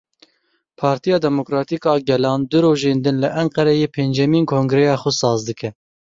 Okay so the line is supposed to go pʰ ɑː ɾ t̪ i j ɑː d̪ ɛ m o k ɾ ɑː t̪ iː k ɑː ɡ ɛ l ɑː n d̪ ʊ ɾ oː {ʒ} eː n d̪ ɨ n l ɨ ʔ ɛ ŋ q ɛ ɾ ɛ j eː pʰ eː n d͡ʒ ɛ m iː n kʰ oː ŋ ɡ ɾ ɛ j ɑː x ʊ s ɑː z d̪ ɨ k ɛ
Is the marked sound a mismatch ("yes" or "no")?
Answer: no